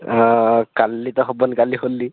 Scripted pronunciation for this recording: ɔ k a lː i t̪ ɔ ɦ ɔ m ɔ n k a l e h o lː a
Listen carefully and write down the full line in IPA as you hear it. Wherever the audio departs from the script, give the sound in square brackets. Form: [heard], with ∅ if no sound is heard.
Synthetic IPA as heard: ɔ k a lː i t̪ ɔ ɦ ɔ [b] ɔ n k a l [i] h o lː [i]